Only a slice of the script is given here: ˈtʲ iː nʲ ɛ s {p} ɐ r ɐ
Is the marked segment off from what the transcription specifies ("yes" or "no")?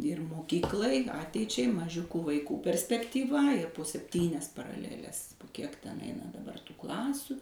no